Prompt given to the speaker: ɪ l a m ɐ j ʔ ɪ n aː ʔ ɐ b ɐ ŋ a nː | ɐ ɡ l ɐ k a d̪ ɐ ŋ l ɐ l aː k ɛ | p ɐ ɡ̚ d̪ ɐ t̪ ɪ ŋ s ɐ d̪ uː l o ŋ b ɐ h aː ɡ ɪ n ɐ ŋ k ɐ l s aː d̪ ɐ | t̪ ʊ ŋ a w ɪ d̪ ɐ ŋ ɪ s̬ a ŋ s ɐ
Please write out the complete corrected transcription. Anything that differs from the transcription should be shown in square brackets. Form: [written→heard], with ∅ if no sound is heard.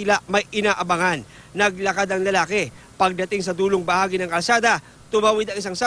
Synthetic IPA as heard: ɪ l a m ɐ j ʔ ɪ n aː ʔ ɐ b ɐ ŋ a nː | ɐ ɡ l ɐ k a d̪ ɐ ŋ l ɐ l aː k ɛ | p ɐ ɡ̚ d̪ ɐ t̪ ɪ ŋ s ɐ d̪ uː l o ŋ b ɐ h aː ɡ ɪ n ɐ ŋ k ɐ l s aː d̪ ɐ | t̪ ʊ [ŋ→m] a w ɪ d̪ ɐ ŋ ɪ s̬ a ŋ s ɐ